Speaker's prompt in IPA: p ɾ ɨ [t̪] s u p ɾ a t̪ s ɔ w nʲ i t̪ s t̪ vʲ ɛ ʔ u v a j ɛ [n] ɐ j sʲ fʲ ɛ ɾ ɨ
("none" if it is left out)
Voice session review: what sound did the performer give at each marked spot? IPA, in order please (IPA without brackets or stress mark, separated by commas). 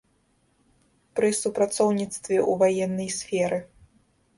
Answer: none, nː